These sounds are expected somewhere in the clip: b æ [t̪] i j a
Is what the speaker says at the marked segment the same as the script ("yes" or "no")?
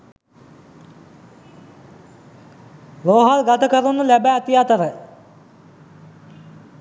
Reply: yes